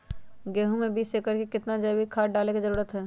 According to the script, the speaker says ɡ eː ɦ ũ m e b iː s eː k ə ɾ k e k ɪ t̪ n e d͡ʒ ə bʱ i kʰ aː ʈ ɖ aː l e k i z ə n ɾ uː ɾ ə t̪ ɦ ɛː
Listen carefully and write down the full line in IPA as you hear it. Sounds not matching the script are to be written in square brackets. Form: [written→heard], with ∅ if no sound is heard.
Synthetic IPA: ɡ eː ɦ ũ m e b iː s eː k ə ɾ k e k ɪ t̪ n [e→a] d͡ʒ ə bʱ i kʰ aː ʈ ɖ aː l e k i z ə [n→∅] ɾ uː ɾ ə t̪ ɦ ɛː